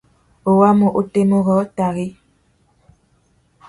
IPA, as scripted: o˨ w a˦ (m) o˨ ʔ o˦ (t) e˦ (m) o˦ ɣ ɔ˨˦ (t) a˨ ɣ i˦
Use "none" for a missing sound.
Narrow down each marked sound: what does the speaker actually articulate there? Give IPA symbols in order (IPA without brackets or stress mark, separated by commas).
m, t, m, t